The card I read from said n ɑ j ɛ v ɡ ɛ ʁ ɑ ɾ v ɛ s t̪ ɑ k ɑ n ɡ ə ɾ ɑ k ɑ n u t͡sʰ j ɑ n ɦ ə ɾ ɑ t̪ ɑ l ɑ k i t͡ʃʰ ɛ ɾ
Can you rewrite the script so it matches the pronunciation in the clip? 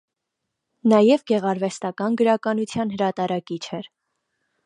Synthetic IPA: n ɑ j ɛ v ɡ ɛ ʁ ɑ ɾ v ɛ s t̪ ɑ k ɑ n ɡ ə ɾ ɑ k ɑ n u t͡sʰ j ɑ n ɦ ə ɾ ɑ t̪ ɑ ɾ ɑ k i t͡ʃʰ ɛ ɾ

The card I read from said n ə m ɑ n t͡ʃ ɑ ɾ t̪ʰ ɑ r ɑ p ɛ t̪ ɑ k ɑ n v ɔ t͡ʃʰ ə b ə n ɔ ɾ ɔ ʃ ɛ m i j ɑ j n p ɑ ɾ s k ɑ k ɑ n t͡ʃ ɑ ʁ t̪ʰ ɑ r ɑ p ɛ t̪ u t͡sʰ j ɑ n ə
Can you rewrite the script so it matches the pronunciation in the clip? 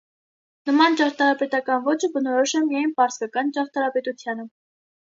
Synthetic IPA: n ə m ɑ n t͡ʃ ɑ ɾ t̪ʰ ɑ ɾ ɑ p ɛ t̪ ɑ k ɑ n v ɔ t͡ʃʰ ə b ə n ɔ ɾ ɔ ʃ ɛ m i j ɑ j n p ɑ ɾ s k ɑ k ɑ n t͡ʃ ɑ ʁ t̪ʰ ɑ ɾ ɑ p ɛ t̪ u t͡sʰ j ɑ n ə

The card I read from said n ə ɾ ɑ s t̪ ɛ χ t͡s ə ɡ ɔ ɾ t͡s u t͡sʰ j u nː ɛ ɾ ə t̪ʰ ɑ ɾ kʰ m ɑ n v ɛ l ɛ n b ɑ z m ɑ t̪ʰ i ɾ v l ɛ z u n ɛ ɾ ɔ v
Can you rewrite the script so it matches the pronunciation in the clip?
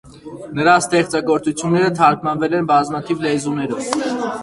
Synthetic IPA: n ə ɾ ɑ s t̪ ɛ χ t͡s ɑ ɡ ɔ ɾ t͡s u t͡sʰ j u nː ɛ ɾ ə t̪ʰ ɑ ɾ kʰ m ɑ n v ɛ l ɛ n b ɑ z m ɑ t̪ʰ i v l ɛ z u n ɛ ɾ ɔ v

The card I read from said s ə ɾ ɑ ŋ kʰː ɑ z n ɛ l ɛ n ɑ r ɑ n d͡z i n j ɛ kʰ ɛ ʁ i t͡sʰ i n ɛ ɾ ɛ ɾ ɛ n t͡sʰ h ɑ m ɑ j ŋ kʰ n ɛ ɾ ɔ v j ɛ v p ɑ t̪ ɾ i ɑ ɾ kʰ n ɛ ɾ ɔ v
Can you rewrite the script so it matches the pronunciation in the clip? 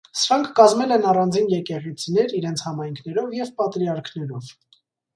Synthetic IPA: s ə ɾ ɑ ŋ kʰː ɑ z m ɛ l ɛ n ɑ r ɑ n d͡z i n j ɛ k ɛ ʁ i t͡sʰ i n ɛ ɾ i ɾ ɛ n t͡sʰ h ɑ m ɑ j ŋ kʰ n ɛ ɾ ɔ v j ɛ v p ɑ t̪ ɾ i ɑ ɾ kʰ n ɛ ɾ ɔ v

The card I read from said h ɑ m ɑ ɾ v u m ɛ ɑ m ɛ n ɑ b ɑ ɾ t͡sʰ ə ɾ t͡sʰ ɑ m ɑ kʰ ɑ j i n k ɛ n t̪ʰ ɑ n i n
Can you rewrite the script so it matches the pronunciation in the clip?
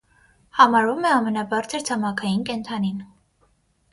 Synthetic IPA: h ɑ m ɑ ɾ v u m ɛ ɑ m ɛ n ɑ b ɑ ɾ t͡sʰ ə ɾ t͡sʰ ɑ m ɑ kʰ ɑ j i n k ɛ n t̪ʰ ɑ n i n

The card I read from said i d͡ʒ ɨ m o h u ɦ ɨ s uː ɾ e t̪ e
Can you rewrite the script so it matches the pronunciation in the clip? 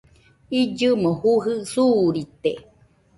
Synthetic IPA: i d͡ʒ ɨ m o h u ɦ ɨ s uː ɾ i t̪ e

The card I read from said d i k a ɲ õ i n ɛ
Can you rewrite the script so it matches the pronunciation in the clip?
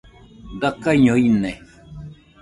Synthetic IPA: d a k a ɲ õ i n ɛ

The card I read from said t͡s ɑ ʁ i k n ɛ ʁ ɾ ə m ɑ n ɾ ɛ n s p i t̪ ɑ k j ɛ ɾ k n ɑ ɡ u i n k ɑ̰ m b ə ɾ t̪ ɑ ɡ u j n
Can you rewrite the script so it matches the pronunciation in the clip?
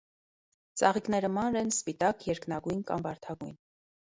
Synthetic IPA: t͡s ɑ ʁ i k n ɛ ɾ ə m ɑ n ɾ ɛ n s p i t̪ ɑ k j ɛ ɾ k n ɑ ɡ u j n k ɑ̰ m b ɑ ɾ t̪ʰ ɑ ɡ u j n

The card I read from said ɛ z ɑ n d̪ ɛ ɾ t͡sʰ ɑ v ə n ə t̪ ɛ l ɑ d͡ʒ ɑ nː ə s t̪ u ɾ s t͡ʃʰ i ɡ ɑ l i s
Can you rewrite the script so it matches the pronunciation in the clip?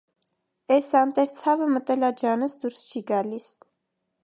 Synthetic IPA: ɛ s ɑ n t̪ ɛ ɾ t͡sʰ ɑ v ə m ə t̪ ɛ l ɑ d͡ʒ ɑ n ə s d̪ u ɾ s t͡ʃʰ i ɡ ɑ l i s

